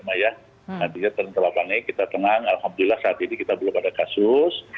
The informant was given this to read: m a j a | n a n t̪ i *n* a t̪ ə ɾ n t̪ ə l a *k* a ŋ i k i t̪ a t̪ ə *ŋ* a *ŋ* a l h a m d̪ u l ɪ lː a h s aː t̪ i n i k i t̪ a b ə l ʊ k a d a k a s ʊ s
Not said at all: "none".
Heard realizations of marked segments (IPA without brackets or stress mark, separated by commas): ɲ, p, ŋ, ŋ